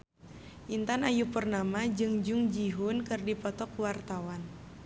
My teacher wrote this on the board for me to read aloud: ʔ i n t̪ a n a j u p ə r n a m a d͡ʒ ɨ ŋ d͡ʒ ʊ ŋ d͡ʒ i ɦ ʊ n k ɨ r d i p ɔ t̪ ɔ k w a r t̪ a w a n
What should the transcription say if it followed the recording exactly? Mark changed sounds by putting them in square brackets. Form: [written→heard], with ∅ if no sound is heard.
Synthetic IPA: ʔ i n t̪ a n a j u p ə r n a m a d͡ʒ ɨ ŋ d͡ʒ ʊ ŋ d͡ʒ i ɦ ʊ n k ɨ r d i p ɔ t̪ ɔ k w a r t̪ a w a n